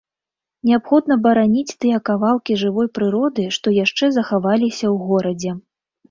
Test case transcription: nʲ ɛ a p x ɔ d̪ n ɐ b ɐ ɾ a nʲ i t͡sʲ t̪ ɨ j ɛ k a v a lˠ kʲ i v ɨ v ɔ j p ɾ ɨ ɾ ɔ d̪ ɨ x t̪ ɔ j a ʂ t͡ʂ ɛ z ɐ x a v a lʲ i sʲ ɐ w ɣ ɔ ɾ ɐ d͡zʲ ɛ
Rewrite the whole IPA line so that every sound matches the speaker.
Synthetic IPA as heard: nʲ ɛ a p x ɔ d̪ n ɐ b ɐ ɾ a nʲ i t͡sʲ t̪ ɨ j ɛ k a v a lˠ kʲ i ʐ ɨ v ɔ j p ɾ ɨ ɾ ɔ d̪ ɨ ʂ t̪ ɔ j a ʂ t͡ʂ ɛ z ɐ x a v a lʲ i sʲ ɐ w ɣ ɔ ɾ ɐ d͡zʲ ɛ